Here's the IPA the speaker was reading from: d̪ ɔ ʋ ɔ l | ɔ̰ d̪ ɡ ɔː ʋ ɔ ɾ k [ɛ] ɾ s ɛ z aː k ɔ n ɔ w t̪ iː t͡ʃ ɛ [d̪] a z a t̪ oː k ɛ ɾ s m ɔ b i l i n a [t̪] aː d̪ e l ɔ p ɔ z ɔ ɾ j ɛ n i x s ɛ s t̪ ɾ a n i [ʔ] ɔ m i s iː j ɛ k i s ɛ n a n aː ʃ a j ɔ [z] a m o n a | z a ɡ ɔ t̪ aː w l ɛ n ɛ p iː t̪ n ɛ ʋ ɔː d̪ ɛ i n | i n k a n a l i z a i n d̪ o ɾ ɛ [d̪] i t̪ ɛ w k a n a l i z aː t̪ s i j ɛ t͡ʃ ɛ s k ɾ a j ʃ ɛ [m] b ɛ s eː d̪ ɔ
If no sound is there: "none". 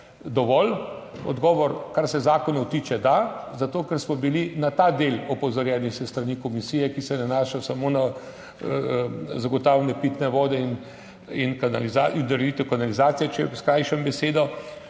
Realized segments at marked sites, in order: a, d̪, t̪, k, s, d̪, m

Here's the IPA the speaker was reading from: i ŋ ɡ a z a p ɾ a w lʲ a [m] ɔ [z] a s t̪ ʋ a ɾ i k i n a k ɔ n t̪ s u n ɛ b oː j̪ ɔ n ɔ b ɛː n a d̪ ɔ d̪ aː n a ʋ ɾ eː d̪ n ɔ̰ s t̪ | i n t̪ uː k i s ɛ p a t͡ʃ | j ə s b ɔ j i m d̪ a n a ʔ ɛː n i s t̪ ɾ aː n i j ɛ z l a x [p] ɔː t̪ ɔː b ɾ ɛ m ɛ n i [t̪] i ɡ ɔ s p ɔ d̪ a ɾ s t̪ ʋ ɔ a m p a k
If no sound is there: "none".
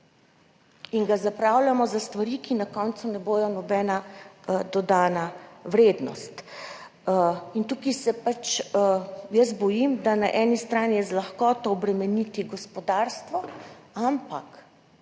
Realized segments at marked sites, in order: m, z, k, t̪

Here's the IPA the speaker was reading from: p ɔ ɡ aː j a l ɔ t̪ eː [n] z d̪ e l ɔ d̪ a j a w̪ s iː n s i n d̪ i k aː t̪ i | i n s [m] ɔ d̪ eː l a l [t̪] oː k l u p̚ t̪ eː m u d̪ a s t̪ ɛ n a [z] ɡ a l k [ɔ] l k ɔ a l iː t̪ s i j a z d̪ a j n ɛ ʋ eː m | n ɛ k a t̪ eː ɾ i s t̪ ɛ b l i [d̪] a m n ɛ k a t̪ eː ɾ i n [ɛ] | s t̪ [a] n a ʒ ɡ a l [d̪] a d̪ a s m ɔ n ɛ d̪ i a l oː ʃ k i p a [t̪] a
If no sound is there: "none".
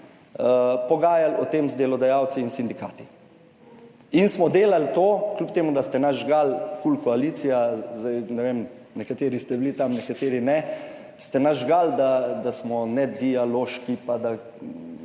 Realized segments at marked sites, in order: m, m, t̪, ʒ, u, t̪, ɛ, ɛ, d̪, d̪

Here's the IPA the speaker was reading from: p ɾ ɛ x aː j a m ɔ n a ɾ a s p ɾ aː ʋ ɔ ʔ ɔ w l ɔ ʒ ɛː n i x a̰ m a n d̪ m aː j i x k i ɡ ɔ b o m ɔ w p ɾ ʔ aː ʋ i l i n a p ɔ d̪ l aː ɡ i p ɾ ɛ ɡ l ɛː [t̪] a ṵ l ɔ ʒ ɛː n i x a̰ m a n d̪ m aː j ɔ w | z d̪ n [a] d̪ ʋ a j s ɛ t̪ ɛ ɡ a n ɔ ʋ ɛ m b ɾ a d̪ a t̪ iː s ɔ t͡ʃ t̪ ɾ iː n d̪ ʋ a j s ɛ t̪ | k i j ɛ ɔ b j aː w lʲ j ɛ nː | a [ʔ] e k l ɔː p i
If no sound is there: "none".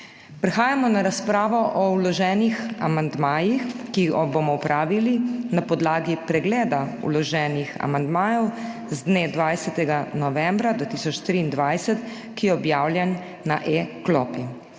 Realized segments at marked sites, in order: d̪, e, ʔ

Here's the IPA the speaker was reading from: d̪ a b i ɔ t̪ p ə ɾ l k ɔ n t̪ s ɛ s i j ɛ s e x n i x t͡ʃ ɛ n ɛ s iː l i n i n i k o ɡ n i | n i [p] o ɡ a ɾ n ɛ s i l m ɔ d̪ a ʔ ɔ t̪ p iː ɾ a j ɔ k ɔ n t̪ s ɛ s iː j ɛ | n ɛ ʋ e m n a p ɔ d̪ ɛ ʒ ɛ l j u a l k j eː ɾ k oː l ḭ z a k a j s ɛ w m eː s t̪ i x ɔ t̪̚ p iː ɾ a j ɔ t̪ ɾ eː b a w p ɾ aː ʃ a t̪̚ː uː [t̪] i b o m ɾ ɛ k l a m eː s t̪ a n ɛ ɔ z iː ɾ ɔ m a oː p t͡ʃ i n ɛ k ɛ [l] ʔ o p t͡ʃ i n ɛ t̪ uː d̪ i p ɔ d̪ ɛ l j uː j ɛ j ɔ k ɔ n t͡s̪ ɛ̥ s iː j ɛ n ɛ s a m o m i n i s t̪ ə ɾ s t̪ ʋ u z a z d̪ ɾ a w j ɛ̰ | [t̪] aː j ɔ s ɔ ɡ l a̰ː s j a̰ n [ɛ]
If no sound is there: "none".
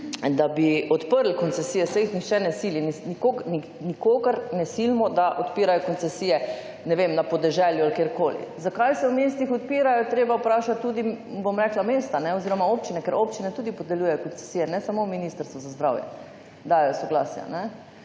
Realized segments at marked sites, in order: k, d̪, ɾ, d̪, ɛ

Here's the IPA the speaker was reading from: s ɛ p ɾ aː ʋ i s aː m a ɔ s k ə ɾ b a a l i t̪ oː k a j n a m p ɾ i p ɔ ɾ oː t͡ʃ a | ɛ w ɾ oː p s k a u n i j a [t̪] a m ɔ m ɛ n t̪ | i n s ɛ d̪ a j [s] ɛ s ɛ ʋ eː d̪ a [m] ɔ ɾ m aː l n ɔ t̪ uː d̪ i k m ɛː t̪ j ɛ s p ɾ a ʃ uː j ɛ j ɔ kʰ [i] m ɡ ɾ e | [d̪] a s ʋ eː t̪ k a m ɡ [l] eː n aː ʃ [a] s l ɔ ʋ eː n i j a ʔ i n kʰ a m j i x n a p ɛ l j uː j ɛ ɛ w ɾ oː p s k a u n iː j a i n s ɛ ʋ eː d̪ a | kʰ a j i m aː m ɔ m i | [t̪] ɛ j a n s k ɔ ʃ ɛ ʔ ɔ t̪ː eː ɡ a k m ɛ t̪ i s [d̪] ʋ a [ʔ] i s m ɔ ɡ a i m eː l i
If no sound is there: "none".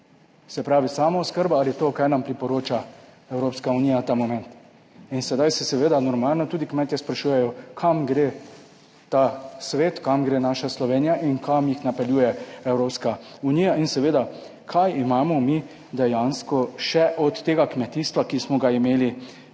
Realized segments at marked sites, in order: t̪, s, n, a, t̪, ɾ, a, d̪, t̪, k

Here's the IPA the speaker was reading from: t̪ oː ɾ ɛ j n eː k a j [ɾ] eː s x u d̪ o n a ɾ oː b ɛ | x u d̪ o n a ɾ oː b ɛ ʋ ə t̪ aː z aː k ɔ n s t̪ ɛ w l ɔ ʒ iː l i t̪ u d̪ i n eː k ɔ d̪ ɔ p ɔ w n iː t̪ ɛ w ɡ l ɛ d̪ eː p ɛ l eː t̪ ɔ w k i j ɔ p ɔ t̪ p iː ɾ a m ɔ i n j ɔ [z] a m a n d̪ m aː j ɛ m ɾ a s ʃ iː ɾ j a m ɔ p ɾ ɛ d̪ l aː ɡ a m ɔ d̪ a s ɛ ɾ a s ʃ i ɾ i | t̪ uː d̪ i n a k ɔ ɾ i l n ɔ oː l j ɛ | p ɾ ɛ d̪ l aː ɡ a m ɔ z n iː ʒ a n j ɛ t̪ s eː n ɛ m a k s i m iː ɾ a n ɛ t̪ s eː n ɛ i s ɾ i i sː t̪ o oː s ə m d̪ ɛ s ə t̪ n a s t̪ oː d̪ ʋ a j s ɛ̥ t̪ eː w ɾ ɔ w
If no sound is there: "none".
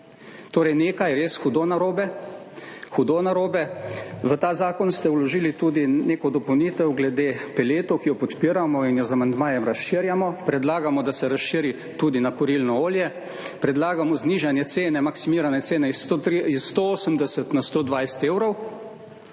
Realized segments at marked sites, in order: ɾ, z

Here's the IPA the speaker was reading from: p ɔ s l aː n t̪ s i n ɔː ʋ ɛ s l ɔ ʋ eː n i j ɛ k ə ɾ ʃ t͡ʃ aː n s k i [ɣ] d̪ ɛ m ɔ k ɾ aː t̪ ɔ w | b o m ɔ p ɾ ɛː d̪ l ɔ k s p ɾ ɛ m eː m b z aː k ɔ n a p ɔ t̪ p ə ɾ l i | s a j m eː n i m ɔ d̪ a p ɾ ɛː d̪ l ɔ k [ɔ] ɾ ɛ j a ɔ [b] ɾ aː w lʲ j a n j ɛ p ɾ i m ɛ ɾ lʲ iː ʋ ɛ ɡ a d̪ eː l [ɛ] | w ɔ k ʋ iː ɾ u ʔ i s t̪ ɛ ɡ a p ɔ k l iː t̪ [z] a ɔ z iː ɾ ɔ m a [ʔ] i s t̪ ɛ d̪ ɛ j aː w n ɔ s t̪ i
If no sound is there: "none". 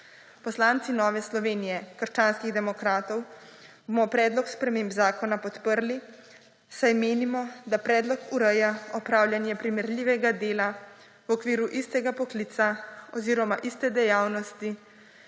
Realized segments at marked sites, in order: ɣ, u, p, a, s, ʔ

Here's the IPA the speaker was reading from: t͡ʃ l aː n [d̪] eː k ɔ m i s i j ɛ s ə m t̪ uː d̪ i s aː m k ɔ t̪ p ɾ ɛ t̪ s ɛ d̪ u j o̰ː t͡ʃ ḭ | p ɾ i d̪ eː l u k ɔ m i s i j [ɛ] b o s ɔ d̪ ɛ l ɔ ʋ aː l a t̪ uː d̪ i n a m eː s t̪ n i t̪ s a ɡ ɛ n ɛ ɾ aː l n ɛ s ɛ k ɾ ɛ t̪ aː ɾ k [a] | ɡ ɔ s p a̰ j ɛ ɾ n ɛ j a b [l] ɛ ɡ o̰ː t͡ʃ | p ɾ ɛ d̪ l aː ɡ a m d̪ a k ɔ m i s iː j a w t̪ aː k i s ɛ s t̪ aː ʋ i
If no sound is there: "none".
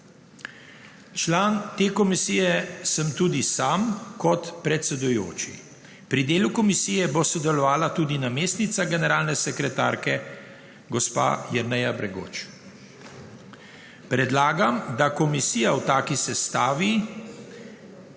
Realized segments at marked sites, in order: t̪, ɛ, ɛ, ɾ

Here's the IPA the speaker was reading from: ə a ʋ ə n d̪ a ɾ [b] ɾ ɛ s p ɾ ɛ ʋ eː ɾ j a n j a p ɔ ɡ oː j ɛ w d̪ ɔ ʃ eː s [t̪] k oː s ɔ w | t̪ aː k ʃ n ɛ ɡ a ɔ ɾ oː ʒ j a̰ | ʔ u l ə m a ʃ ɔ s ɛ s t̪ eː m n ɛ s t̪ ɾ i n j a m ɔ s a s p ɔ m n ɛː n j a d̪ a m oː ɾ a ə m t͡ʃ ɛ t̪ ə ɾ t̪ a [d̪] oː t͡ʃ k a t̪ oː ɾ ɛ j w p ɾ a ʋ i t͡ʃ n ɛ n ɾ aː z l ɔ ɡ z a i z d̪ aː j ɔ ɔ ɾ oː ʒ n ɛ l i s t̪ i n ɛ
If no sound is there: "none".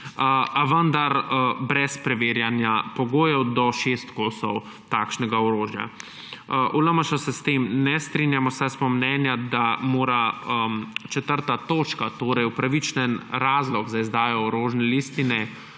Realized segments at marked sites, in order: b, t̪, t̪

